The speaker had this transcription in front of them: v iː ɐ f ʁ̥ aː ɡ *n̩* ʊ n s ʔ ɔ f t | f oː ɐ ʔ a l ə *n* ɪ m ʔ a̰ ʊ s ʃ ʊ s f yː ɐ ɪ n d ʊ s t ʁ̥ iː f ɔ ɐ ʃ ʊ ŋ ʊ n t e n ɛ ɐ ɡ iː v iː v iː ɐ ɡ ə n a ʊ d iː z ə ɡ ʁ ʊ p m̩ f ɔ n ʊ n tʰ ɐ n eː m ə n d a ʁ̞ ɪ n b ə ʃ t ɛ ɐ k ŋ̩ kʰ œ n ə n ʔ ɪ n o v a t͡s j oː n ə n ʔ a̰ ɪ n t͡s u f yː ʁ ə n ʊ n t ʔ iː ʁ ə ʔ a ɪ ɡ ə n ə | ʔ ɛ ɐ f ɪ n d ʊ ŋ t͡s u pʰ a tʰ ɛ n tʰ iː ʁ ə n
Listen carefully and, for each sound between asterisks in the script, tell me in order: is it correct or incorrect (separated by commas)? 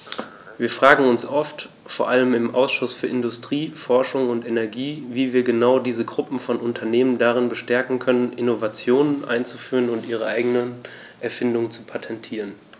incorrect, incorrect